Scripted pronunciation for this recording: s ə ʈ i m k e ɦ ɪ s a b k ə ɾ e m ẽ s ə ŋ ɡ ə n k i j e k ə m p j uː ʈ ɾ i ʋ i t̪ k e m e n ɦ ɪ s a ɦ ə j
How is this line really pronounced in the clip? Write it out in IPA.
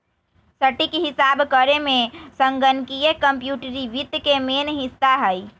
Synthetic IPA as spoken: s ə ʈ i k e ɦ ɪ s a b k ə ɾ e m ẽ s ə ŋ ɡ ə n k i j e k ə m p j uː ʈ ɾ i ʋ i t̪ k e m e n ɦ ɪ s a ɦ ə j